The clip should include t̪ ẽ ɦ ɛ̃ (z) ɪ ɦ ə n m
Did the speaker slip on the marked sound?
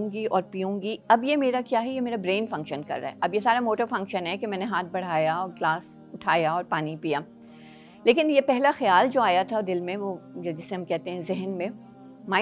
no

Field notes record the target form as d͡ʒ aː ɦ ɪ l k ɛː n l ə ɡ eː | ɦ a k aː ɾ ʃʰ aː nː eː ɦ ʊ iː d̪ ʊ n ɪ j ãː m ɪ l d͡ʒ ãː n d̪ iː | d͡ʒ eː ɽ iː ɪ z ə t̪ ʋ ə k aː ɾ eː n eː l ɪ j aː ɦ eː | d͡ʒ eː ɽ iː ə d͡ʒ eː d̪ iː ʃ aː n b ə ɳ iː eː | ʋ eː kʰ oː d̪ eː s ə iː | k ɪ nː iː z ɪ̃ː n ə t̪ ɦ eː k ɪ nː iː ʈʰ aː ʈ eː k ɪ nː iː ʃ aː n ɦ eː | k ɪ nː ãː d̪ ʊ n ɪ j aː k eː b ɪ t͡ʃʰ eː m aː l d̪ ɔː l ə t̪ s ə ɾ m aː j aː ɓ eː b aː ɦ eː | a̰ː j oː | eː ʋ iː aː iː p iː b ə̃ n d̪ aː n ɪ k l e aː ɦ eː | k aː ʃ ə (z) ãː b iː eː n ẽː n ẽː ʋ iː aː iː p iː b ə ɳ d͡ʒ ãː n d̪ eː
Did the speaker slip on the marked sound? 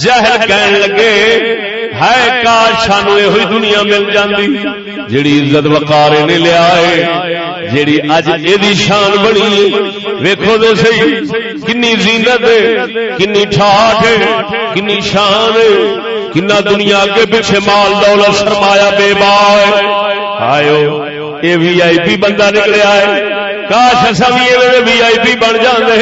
yes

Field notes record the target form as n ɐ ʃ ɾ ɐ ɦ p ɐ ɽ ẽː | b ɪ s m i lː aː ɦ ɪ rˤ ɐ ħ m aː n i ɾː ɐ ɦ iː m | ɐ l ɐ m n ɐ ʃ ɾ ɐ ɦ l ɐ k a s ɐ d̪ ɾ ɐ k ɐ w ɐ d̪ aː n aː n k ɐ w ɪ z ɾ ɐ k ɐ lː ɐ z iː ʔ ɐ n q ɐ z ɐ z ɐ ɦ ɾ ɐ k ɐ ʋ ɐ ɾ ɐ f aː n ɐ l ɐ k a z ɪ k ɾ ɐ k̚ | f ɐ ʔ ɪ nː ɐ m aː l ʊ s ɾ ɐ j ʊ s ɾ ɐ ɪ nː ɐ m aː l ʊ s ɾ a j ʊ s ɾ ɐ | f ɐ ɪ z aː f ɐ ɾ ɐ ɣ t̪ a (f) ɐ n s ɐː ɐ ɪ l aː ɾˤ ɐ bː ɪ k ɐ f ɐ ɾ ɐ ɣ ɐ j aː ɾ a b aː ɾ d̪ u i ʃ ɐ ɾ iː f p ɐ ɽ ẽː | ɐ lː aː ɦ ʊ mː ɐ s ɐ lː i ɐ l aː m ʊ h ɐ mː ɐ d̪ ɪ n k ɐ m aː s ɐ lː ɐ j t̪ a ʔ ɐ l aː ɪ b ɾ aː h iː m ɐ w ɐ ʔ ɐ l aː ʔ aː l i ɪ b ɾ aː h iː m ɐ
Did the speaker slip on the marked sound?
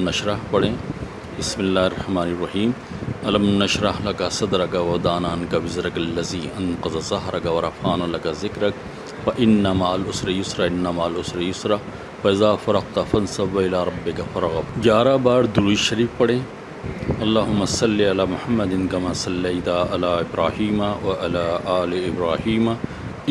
no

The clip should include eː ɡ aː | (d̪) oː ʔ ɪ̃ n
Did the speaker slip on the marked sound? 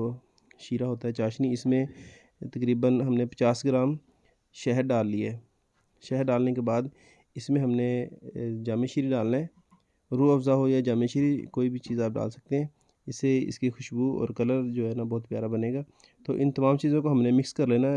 yes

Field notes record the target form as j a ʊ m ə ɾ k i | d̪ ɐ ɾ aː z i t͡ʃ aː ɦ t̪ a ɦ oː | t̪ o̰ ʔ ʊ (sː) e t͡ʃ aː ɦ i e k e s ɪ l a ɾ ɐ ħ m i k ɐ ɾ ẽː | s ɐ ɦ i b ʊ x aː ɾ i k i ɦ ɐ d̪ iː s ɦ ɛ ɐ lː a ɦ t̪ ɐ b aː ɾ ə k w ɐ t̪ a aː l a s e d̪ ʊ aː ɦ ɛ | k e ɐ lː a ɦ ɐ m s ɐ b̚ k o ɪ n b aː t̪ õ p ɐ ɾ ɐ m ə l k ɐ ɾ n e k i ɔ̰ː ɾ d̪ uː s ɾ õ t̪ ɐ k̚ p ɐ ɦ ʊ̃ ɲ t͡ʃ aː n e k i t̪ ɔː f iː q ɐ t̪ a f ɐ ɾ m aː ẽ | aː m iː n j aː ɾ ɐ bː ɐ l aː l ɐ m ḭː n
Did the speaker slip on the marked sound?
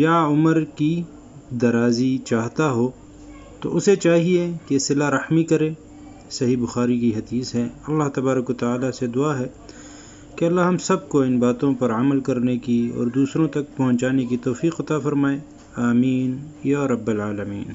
yes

